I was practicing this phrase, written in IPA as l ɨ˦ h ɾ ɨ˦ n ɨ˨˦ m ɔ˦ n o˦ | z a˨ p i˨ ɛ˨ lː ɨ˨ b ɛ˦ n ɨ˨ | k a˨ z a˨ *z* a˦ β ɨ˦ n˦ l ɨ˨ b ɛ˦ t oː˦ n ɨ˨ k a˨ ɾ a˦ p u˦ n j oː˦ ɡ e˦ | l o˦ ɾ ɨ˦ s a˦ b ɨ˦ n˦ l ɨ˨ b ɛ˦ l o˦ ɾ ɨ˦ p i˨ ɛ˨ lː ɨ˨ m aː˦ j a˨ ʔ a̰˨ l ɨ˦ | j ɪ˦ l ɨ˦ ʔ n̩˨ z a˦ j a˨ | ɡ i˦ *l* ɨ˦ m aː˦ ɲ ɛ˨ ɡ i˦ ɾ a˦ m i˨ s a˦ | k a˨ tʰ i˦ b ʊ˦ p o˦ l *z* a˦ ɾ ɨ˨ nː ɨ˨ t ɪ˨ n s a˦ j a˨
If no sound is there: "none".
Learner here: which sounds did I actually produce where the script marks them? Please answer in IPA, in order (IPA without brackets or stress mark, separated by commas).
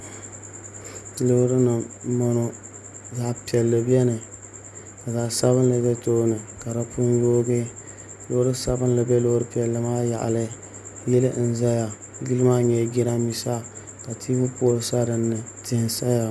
s, l, s